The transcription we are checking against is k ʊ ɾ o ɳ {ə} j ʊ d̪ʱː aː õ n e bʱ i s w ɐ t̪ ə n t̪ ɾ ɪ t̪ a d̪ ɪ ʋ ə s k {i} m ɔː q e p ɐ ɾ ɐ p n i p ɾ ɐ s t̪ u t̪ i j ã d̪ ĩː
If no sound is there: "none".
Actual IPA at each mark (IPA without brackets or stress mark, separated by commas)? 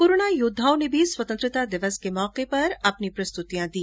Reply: a, e